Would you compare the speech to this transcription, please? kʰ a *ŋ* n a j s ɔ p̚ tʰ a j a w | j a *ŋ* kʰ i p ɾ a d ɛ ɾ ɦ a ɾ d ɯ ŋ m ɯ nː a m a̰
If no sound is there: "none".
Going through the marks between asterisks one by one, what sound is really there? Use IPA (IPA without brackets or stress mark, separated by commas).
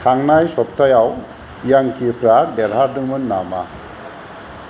ŋ, ŋ